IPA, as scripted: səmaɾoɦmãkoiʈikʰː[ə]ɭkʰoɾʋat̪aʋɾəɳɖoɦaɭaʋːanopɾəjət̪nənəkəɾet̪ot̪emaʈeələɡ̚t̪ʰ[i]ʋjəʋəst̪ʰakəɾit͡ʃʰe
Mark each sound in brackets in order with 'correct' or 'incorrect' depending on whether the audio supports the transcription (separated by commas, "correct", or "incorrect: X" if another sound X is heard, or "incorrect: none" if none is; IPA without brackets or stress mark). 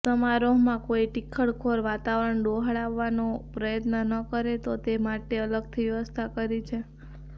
correct, correct